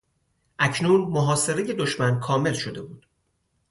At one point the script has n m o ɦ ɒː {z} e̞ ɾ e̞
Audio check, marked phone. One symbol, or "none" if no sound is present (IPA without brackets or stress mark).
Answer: s